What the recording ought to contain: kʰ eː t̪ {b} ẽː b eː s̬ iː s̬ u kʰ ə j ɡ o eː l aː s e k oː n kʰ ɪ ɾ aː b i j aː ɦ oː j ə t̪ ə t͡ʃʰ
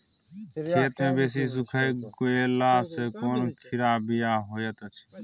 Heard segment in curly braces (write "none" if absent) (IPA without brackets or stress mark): m